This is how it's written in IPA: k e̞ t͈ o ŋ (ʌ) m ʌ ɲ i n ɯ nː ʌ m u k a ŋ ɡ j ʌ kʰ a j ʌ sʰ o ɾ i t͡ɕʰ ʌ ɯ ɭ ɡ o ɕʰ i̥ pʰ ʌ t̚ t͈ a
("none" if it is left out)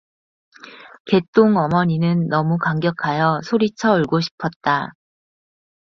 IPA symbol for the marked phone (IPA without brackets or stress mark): ʌ